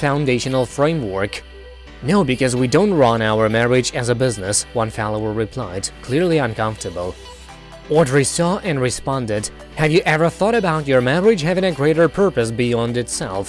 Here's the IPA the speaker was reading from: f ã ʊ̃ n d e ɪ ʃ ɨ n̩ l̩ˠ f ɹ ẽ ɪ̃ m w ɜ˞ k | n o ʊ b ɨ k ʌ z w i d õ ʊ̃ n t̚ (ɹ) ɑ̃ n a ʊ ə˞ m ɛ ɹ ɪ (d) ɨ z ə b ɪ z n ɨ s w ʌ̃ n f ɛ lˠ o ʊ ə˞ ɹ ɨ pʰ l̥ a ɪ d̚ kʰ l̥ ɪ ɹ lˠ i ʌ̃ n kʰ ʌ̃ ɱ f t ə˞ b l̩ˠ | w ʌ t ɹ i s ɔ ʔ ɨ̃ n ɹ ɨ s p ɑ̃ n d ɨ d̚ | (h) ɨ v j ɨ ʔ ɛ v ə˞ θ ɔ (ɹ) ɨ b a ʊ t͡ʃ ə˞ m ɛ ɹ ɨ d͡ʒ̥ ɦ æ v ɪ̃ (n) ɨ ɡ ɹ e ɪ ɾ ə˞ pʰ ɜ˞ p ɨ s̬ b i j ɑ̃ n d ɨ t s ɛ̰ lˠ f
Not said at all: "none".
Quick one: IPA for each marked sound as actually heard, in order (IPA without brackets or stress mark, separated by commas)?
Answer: ɹ, d͡ʒ, h, ɾ, ŋ